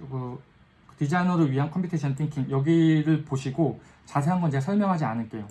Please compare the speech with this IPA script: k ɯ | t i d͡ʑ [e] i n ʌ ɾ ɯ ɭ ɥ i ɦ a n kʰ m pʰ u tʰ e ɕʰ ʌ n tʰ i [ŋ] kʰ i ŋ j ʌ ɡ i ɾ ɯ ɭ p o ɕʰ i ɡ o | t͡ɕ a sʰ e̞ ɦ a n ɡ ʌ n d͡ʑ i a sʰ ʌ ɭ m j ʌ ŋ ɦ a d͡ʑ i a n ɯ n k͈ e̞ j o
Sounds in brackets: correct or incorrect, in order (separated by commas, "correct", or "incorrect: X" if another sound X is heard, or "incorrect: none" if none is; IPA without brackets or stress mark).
incorrect: a, correct